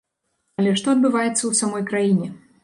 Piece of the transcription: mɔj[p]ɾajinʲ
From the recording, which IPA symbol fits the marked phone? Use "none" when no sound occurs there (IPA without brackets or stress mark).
k